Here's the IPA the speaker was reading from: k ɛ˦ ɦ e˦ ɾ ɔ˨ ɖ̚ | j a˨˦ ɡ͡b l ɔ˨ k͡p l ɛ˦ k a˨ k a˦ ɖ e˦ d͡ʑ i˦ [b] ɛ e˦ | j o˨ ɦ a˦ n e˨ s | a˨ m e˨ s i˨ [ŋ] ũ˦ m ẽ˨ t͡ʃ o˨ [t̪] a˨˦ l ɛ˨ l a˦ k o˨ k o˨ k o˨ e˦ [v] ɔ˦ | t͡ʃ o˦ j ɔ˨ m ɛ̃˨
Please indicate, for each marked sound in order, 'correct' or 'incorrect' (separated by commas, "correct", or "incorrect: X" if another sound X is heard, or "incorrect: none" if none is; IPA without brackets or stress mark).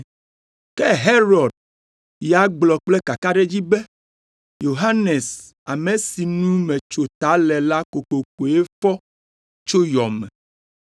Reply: correct, incorrect: n, correct, incorrect: f